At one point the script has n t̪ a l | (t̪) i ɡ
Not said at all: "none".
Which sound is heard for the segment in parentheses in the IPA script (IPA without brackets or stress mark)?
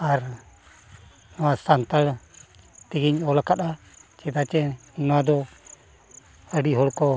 t̪